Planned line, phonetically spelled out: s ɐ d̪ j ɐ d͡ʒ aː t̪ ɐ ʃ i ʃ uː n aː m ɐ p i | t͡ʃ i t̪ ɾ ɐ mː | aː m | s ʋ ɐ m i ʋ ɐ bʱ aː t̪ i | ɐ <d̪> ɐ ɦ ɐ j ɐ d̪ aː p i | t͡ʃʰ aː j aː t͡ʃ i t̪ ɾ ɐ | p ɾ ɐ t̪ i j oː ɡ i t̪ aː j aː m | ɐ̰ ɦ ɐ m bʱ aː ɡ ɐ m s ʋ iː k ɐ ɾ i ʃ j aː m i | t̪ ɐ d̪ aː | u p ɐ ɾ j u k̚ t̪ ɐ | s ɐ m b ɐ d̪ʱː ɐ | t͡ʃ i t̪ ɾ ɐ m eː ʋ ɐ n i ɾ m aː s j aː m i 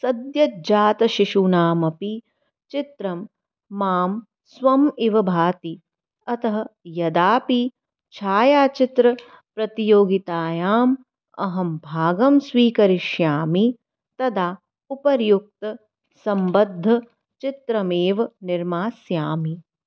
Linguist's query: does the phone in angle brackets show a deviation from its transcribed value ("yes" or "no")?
yes